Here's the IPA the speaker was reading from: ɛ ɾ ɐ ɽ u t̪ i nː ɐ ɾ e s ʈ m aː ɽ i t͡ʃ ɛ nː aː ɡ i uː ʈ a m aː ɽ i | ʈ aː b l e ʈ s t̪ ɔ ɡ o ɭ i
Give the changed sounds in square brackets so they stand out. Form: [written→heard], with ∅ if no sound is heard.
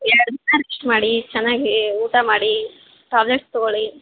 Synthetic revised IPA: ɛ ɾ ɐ ɽ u [t̪→d̪] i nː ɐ ɾ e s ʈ m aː ɽ i t͡ʃ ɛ nː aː ɡ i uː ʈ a m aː ɽ i | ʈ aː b l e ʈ s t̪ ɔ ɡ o ɭ i